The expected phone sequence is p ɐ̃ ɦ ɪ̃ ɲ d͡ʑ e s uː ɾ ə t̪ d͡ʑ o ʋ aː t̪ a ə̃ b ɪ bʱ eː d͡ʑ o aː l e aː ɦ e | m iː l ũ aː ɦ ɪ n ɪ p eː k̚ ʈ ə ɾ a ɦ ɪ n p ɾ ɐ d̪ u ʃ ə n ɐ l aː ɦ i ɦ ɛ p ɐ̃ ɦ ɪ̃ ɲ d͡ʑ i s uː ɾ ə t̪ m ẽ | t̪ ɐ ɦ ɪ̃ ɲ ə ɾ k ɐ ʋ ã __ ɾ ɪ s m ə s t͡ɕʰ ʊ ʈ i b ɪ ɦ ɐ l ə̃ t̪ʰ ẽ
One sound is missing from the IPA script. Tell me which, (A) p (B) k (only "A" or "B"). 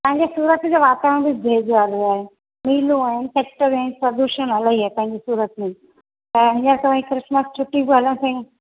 B